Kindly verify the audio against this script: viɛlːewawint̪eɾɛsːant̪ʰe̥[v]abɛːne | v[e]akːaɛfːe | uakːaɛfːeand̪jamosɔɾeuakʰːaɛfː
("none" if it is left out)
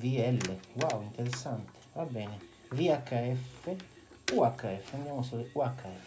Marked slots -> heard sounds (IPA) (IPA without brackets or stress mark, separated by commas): v, i